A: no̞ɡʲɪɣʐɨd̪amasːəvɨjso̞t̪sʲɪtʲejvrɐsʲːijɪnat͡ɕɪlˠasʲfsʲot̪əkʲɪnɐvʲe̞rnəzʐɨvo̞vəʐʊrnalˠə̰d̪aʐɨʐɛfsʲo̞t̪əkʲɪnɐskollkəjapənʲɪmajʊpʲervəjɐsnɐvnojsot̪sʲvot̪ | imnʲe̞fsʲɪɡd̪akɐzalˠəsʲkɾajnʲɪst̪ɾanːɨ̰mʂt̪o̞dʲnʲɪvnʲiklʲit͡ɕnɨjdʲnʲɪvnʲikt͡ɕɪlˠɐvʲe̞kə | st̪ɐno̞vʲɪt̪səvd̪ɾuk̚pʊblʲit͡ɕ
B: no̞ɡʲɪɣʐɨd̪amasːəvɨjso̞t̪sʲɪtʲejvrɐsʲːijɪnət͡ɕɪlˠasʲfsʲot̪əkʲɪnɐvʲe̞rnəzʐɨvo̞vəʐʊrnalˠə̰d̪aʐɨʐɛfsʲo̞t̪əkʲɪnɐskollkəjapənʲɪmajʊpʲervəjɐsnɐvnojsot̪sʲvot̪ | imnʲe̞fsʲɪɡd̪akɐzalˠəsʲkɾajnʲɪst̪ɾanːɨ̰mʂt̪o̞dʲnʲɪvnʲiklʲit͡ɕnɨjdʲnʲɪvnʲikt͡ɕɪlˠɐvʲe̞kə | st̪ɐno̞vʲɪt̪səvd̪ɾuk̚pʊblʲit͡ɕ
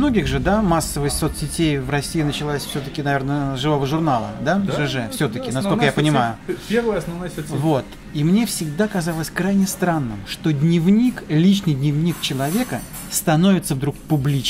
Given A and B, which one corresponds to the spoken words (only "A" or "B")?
B